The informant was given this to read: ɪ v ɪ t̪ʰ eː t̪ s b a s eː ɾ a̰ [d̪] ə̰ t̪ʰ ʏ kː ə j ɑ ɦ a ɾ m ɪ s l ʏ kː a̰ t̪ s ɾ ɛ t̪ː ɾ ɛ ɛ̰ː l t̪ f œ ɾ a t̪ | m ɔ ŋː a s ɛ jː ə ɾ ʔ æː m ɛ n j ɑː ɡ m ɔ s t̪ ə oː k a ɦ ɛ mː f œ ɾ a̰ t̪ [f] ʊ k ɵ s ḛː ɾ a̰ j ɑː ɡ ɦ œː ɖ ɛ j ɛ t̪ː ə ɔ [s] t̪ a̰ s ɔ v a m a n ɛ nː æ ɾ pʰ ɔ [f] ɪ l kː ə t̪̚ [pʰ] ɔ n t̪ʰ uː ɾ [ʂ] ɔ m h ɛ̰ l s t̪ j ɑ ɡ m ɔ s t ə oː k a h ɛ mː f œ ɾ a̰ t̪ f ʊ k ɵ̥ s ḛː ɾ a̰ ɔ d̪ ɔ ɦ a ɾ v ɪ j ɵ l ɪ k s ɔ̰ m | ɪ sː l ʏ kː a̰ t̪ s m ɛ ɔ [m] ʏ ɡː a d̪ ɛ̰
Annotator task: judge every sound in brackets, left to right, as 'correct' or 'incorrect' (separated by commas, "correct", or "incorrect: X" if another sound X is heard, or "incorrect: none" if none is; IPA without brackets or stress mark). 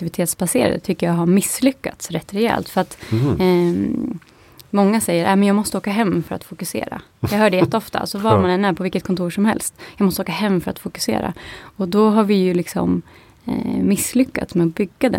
correct, correct, incorrect: f, incorrect: v, incorrect: kʰ, correct, incorrect: b